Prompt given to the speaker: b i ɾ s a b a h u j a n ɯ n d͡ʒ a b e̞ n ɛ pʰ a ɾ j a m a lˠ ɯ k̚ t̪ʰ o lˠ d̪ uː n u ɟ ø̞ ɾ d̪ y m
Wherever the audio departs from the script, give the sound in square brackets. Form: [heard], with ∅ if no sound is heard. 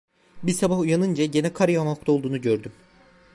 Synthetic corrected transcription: b i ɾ s a b a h u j a n ɯ n d͡ʒ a [ɟ] e̞ n ɛ [kʰ] a ɾ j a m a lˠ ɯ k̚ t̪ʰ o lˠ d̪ uː n u ɟ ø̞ ɾ d̪ y m